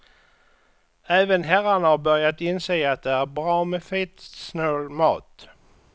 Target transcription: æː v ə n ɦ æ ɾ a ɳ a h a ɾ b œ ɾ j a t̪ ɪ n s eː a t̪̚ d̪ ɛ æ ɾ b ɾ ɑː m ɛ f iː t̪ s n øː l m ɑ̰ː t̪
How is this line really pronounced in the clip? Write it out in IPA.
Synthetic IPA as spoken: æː v ə n ɦ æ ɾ a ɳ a h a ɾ b œ ɾ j a t̪ ɪ n s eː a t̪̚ d̪ ɛ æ ɾ b ɾ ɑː m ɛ f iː t̪ s n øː l m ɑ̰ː t̪